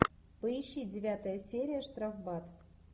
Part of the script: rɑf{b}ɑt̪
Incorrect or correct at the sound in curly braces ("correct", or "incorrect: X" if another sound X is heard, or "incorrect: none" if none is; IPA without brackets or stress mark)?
correct